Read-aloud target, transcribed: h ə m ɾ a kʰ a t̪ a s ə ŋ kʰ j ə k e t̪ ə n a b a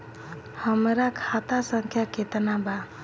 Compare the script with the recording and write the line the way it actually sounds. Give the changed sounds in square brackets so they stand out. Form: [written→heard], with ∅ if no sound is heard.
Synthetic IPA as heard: h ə m ɾ a kʰ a t̪ a s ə ŋ kʰ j [ə→a] k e t̪ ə n a b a